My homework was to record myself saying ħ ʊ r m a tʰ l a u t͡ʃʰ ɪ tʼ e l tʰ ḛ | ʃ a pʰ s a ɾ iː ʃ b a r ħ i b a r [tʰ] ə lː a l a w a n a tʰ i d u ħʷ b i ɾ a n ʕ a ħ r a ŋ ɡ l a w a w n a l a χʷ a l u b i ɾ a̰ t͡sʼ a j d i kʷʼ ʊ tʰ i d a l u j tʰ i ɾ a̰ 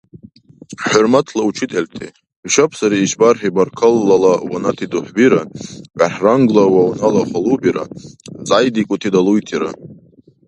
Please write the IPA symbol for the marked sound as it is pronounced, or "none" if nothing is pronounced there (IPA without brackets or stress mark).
kʰ